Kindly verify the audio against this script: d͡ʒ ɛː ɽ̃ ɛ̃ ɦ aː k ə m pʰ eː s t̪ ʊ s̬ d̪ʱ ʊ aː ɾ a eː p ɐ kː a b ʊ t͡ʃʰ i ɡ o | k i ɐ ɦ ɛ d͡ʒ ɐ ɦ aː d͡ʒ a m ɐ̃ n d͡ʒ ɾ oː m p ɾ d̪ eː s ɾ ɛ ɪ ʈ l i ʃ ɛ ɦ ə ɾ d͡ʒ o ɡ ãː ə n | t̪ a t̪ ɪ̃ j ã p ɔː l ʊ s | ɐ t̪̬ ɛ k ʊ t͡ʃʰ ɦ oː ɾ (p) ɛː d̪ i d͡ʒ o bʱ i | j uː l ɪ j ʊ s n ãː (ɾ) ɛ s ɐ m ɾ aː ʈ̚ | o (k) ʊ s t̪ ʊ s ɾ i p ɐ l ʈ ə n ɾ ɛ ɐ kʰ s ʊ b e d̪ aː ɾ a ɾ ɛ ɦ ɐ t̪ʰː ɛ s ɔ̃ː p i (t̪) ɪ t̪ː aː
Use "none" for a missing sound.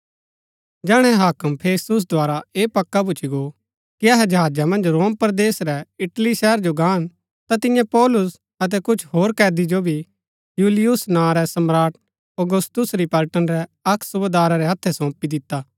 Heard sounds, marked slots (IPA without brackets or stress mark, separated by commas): k, ɾ, ɡ, d̪